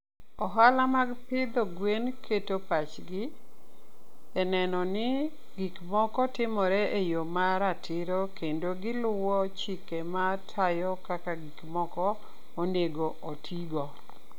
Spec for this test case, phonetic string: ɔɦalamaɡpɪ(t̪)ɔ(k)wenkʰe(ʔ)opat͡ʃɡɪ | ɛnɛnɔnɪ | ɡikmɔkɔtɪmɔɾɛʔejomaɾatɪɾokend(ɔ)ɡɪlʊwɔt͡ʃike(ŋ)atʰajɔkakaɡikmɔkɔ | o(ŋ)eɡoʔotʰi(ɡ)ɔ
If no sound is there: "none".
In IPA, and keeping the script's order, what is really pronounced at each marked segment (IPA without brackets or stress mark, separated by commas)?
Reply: d̪, ɡ, t, o, m, n, ɡ